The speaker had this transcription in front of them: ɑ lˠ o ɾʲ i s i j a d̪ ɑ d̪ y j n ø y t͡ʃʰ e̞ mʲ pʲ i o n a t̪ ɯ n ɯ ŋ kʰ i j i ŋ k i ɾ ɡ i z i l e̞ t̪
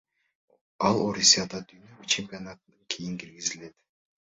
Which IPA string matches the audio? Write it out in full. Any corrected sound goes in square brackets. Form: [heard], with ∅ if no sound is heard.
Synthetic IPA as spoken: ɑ lˠ o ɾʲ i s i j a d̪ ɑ d̪ y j n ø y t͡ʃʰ e̞ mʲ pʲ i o n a t̪ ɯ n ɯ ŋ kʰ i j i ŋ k i ɾ ɡ i z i l e̞ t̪